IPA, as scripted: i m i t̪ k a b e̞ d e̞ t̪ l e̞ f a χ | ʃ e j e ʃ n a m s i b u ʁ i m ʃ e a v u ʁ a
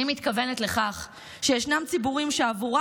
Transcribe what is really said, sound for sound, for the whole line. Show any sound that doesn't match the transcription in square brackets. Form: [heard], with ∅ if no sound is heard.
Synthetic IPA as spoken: i m i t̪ k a [v] e̞ [n] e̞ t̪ l e̞ [χ] a χ | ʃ e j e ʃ n a m [t͡s] i b u ʁ i m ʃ e a v u ʁ a